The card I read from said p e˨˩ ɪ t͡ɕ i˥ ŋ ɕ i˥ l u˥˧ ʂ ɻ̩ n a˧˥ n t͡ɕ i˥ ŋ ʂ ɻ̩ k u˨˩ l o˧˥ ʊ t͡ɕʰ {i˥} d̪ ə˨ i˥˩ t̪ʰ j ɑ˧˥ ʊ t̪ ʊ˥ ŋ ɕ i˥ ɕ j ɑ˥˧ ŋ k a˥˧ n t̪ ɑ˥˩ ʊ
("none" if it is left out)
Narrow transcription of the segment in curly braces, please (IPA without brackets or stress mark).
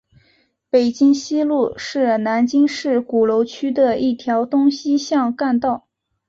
y˥